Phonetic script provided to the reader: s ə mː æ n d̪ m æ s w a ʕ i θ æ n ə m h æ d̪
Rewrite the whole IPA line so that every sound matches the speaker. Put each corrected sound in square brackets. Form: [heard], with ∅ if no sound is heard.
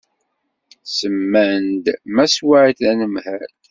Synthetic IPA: s ə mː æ n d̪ m æ s w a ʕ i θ æ n ə m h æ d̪